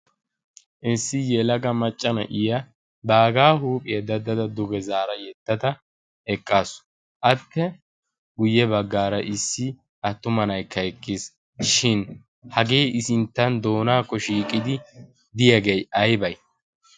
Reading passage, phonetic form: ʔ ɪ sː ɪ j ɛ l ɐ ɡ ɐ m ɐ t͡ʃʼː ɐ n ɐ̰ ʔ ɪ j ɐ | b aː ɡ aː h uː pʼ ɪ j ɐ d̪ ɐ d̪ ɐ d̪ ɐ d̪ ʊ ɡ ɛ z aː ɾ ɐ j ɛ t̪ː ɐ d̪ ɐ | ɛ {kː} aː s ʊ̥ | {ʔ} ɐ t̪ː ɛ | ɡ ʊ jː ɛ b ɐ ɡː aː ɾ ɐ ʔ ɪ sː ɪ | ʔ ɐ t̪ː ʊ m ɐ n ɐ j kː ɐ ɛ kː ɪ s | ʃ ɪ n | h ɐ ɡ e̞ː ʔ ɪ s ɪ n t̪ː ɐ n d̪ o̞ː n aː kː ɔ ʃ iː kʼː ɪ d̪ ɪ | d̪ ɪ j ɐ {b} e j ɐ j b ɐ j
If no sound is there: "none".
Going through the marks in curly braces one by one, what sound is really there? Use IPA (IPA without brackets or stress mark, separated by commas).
kʼː, ʔ, ɡ